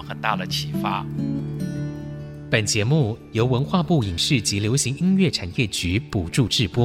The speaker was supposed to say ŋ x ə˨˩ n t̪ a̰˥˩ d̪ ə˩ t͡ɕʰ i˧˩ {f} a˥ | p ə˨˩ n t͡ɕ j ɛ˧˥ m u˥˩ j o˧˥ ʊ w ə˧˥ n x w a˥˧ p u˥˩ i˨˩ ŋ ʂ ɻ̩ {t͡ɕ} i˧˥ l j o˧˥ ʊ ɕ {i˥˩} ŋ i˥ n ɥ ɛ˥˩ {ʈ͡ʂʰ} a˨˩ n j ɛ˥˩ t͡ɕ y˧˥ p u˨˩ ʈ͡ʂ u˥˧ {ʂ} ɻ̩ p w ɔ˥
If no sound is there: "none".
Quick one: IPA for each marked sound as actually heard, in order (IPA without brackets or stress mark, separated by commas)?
f, t͡ɕ, i˧˥, ʈ͡ʂʰ, ʈ͡ʂ